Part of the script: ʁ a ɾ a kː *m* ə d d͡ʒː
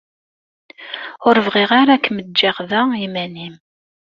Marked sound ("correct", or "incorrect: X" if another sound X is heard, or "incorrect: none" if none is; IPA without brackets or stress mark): correct